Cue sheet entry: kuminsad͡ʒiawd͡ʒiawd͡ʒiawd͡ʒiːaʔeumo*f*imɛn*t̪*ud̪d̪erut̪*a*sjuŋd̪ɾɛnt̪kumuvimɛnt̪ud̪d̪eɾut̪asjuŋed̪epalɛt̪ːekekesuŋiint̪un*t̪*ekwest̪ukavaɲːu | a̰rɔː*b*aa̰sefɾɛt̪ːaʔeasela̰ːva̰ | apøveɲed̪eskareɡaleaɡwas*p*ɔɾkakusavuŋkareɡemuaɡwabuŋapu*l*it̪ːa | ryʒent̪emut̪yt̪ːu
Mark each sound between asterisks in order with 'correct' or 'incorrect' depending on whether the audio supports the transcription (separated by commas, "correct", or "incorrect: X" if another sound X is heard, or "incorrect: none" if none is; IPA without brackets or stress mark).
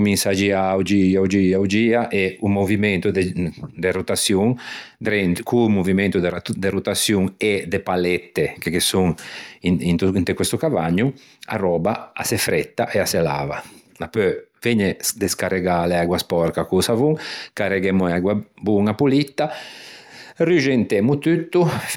incorrect: v, correct, correct, correct, correct, correct, correct